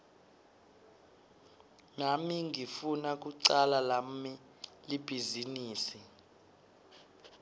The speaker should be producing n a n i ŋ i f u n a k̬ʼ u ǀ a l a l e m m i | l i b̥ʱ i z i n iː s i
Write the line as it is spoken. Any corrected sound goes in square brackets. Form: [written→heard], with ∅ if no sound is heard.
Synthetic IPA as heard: n a [n→m] i ŋ i f u n a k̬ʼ u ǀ a l a l [e→a] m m i | l i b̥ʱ i z i n iː s i

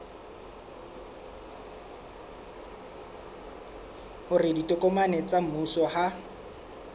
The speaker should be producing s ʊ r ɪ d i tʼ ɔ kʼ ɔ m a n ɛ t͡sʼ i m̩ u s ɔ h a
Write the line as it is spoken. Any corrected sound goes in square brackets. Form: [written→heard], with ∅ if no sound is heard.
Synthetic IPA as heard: [s→h] ʊ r ɪ d i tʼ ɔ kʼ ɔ m a n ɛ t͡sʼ [i→a] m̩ u s ɔ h a

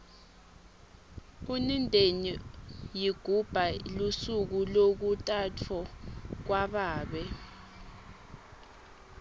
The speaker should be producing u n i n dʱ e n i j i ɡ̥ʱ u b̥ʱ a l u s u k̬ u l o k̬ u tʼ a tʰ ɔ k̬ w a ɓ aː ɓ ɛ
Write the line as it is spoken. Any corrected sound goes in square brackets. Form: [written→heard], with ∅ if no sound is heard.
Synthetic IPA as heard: u n i n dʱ e n i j i ɡ̥ʱ u b̥ʱ a l u s u k̬ u l o k̬ u tʼ a tʰ ɔ k̬ w a ɓ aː ɓ ɛ

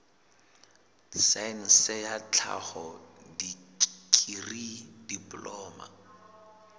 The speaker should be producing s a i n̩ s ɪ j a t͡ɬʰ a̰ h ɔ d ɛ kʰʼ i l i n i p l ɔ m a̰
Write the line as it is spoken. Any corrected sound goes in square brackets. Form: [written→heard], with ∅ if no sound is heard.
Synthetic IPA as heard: s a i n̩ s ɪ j a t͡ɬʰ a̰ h ɔ d [ɛ→i] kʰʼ i [l→r] i [n→d] i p l [ɔ→ɔː] m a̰

